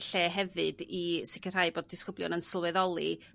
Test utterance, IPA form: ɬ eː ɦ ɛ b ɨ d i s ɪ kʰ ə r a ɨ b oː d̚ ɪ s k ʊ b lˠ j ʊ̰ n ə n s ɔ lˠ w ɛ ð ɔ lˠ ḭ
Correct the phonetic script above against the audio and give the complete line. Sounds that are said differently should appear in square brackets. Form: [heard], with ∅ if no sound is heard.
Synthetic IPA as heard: ɬ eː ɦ ɛ [v] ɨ d i s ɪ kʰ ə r a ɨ b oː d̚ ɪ s k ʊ b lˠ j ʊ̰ n ə n s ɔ lˠ w ɛ ð ɔ lˠ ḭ

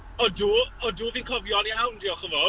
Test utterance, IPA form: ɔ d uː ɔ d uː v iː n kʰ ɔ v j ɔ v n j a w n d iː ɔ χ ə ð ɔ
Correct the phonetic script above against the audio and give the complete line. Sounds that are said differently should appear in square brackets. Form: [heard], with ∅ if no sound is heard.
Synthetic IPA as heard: ɔ d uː ɔ d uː v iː n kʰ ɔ v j ɔ [∅] n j a w n d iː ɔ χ ə [v] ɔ

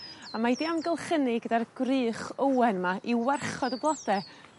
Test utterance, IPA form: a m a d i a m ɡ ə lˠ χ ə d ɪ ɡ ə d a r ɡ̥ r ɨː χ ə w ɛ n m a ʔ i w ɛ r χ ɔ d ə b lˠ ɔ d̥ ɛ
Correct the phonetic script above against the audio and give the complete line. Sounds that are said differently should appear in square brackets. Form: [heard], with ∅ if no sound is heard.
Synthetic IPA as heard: a m a d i a m ɡ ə lˠ χ ə [n] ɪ ɡ ə d a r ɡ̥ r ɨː χ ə w ɛ n m a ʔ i w ɛ r χ ɔ d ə b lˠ ɔ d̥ ɛ

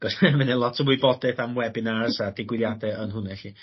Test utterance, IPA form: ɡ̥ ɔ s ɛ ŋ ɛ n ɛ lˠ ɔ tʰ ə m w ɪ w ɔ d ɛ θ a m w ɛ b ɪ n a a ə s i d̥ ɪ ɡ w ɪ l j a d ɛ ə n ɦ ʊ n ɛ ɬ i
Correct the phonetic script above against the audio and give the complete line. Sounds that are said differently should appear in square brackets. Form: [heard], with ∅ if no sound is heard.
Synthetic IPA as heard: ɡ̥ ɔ s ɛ [m] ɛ n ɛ lˠ ɔ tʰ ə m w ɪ [b] ɔ d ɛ θ a m w ɛ b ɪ n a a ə s [a] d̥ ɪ ɡ w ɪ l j a d ɛ ə n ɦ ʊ n ɛ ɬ i

